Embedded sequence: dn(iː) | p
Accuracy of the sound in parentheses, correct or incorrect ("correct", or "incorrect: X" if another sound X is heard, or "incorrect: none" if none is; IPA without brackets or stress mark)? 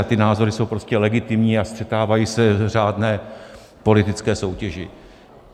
incorrect: ɛː